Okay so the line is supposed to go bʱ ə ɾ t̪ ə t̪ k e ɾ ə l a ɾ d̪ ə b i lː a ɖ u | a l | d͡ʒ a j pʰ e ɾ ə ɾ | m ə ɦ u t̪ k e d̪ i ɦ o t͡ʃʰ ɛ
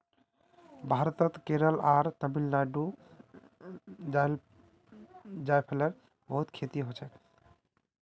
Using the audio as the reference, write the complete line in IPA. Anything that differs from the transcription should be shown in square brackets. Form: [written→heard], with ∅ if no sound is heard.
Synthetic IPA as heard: bʱ [ə→a] ɾ t̪ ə t̪ k e ɾ ə l a ɾ [d̪→t̪] ə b i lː a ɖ u | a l | d͡ʒ a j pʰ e [ɾ→l] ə ɾ | [m→b] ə ɦ u t̪ [k→kʰ] e [d̪→t̪] i ɦ o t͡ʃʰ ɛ